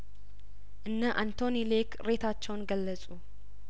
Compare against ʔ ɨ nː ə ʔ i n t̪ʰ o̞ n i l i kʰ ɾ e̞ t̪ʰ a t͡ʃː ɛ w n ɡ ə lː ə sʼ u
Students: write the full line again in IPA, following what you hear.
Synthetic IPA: ʔ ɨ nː ə ʔ a n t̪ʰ o̞ n i l e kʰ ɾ e̞ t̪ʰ a t͡ʃː ɛ w n ɡ ə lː ə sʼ u